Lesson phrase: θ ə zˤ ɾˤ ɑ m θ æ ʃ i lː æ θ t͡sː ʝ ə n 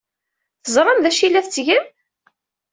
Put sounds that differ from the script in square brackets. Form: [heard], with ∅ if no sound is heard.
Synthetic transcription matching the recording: θ ə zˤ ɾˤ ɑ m [ð] æ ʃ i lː æ θ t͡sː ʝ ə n